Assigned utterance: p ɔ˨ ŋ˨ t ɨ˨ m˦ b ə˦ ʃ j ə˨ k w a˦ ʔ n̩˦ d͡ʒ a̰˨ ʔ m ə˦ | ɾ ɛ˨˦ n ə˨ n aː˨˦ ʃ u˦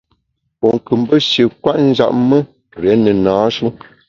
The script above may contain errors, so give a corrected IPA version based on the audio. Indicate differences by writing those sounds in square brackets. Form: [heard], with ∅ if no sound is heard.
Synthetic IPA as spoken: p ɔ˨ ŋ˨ [k] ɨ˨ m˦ b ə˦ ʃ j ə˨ k w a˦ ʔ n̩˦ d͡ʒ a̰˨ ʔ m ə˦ | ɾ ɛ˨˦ n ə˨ n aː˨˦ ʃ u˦